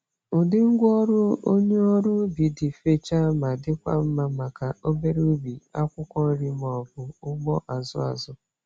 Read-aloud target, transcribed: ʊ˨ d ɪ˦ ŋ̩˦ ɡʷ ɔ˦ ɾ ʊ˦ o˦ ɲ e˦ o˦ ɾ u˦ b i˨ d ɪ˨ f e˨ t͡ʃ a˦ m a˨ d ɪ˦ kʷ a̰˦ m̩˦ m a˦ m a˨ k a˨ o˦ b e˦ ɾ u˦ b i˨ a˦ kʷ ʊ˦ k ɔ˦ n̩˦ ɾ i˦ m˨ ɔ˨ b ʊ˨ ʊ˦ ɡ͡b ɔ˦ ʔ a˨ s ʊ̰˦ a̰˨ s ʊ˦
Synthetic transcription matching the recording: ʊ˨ d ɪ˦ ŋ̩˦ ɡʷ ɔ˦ ɾ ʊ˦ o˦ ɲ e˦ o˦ ɾ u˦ b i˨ d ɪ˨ f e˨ t͡ʃ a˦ m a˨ d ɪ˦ kʷ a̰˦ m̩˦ m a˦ m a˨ k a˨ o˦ b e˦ ɾ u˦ b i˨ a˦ kʷ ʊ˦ k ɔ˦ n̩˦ ɾ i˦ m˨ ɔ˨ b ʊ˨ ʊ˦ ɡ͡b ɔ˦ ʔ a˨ z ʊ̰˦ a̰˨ z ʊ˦